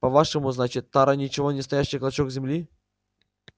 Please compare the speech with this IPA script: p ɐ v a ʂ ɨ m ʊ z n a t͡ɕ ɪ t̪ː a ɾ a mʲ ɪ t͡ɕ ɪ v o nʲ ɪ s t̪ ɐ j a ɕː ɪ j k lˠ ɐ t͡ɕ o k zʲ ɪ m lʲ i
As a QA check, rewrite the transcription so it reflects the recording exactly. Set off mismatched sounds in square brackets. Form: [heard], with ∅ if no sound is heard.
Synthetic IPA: p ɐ v a ʂ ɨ m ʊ z n a t͡ɕ ɪ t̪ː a ɾ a [nʲ] ɪ t͡ɕ ɪ v o nʲ ɪ s t̪ ɐ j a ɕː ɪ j k lˠ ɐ t͡ɕ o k zʲ ɪ m lʲ i